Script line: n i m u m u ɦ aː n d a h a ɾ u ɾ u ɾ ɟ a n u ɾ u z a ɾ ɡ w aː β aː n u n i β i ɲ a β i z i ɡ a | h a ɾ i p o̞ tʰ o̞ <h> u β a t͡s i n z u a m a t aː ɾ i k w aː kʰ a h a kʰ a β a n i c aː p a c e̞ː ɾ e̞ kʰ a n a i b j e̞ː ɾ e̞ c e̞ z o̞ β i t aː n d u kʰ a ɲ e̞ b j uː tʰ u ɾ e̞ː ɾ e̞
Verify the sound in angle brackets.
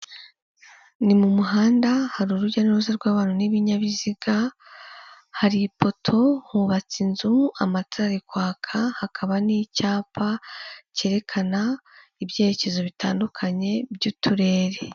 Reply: correct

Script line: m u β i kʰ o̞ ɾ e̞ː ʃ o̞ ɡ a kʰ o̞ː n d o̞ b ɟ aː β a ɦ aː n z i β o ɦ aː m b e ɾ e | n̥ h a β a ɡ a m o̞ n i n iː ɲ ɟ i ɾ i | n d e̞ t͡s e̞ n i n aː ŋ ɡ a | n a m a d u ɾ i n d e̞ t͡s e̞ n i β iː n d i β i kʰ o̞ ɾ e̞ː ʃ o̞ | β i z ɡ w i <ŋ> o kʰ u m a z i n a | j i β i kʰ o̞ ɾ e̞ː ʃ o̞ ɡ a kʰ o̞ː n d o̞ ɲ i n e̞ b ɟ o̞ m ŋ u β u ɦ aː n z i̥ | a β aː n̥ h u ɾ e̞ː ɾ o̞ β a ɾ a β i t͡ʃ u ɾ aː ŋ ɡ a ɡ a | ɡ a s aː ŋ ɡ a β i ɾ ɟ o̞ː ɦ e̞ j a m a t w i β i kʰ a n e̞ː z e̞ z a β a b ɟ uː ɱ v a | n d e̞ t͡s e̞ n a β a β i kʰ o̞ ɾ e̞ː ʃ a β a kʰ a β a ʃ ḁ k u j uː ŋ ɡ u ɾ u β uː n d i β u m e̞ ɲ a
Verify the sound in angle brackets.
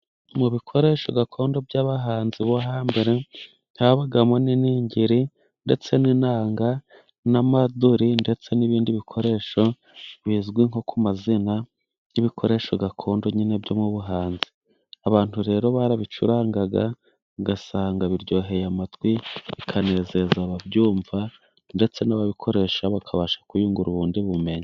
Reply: correct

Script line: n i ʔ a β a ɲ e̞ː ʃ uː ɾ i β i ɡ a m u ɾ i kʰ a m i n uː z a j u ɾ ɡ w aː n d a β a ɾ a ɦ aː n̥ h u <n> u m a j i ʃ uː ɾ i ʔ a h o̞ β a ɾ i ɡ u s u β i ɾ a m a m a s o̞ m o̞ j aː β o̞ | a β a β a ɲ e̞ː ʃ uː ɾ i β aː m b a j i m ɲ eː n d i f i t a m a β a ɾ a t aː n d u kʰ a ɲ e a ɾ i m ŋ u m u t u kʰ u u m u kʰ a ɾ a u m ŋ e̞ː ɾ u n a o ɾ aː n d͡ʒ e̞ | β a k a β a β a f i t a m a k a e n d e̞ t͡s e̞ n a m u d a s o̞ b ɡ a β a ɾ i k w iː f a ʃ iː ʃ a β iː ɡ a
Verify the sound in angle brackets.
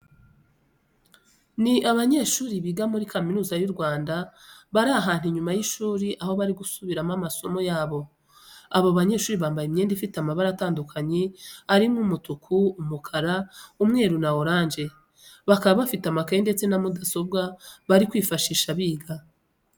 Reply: incorrect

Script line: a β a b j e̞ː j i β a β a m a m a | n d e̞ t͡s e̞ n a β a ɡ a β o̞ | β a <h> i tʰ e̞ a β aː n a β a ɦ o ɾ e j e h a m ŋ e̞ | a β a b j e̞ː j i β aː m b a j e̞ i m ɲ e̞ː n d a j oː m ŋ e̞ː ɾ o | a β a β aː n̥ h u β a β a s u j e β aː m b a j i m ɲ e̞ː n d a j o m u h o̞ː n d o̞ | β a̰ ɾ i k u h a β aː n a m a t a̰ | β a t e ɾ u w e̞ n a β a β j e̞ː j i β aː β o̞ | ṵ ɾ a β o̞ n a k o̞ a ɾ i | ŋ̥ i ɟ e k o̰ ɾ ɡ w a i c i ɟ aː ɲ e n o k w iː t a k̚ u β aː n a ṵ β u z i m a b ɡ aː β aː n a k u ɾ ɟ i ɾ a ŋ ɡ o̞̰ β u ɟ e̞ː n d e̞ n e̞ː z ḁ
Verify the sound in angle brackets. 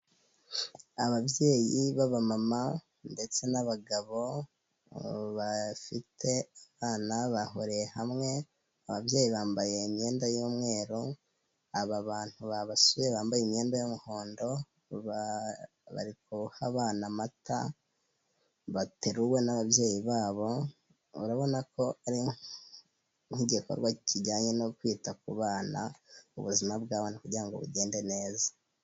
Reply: incorrect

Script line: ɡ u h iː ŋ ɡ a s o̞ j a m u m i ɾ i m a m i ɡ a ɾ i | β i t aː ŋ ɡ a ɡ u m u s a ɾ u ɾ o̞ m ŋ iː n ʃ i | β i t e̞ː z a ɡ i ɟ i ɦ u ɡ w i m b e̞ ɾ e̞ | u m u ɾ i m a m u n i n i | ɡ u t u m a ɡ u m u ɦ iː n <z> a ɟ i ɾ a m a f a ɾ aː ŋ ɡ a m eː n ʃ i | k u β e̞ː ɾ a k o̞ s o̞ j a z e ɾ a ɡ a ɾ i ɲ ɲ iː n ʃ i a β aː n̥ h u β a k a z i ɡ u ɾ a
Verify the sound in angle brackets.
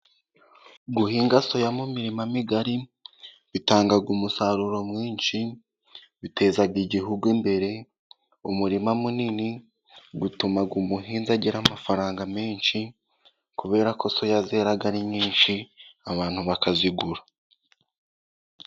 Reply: correct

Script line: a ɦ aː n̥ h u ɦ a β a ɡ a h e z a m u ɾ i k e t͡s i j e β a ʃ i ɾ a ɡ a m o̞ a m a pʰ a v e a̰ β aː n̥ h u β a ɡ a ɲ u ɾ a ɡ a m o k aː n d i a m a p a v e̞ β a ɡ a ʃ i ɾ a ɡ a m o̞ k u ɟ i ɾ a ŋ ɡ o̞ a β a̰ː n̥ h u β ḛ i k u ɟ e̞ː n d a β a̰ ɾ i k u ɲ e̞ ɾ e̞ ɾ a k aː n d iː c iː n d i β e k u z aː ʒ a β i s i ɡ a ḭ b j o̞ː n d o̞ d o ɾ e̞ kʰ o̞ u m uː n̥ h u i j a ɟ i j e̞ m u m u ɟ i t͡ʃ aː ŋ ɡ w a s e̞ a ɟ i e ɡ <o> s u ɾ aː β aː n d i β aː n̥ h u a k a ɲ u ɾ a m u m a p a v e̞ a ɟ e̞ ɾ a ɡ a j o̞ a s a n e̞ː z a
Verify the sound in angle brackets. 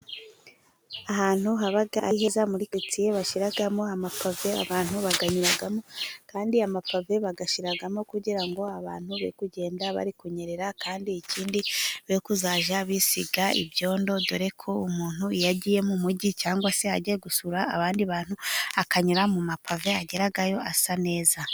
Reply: incorrect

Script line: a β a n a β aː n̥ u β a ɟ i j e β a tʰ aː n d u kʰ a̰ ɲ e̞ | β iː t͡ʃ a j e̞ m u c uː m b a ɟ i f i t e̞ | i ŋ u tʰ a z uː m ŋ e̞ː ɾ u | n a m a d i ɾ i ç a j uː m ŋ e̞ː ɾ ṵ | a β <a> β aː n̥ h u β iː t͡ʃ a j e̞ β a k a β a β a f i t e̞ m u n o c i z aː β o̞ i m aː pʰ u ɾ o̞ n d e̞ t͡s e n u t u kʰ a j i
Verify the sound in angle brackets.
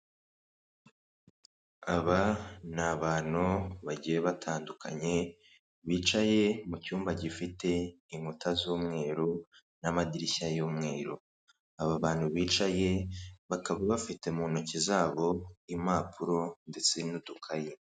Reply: correct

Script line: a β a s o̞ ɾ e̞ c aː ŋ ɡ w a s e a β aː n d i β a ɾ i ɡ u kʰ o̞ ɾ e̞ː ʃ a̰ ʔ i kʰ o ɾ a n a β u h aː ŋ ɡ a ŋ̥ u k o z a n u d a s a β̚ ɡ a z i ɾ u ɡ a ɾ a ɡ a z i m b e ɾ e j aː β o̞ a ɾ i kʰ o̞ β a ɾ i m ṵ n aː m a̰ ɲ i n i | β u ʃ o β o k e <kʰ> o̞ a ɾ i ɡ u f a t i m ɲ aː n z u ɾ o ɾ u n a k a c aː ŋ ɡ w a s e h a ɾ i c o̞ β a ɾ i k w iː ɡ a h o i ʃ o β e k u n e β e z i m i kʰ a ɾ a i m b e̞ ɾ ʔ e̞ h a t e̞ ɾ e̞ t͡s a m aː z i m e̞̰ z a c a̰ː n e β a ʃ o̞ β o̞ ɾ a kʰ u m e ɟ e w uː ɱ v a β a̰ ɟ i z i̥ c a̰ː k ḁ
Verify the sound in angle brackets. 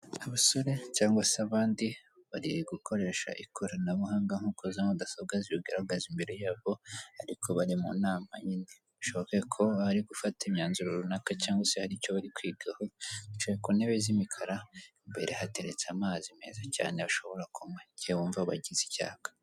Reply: correct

